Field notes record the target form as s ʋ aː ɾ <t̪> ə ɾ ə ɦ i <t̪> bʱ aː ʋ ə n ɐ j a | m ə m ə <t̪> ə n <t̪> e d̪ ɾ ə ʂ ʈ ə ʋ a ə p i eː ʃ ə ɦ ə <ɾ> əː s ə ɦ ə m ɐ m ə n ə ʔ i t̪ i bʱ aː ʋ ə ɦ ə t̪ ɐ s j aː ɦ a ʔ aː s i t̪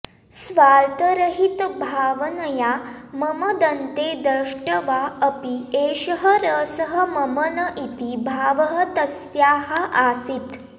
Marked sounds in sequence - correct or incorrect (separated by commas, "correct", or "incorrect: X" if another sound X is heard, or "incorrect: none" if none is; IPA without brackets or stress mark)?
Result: correct, correct, incorrect: d̪, correct, correct